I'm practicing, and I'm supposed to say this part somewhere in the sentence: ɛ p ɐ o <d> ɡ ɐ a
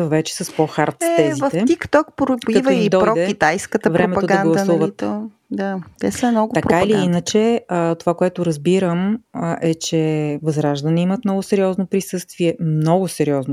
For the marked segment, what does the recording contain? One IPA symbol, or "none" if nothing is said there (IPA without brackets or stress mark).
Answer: d